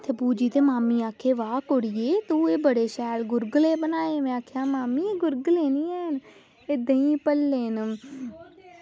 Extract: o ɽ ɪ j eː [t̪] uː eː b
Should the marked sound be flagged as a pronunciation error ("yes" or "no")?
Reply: no